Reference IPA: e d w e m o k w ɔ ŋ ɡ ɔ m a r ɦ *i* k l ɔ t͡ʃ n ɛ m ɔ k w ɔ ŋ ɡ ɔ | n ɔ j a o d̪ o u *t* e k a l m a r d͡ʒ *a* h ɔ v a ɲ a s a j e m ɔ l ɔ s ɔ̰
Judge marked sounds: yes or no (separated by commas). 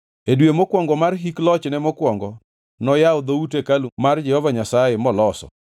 yes, yes, no